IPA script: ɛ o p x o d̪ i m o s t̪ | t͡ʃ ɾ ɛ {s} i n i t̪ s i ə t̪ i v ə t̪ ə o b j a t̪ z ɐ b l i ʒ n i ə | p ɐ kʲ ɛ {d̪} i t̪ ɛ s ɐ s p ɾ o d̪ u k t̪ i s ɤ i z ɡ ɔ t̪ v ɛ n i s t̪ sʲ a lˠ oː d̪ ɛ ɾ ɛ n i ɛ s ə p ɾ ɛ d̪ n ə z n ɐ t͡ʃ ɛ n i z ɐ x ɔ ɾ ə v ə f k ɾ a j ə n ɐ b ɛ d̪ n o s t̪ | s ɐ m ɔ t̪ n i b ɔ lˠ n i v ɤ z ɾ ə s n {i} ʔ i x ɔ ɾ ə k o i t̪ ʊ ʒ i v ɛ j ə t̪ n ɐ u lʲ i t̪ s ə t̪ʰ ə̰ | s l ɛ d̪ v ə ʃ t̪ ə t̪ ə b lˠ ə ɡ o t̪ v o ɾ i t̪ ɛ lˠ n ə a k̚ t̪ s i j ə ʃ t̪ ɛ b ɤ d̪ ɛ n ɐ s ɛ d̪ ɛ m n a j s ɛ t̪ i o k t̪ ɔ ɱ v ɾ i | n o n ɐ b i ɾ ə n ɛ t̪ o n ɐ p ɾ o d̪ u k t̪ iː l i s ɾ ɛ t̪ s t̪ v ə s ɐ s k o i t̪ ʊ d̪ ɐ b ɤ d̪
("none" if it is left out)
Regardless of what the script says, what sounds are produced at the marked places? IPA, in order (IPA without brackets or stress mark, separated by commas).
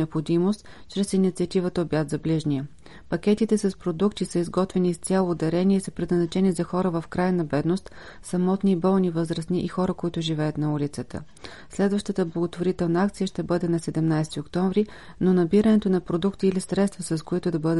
s, t̪, i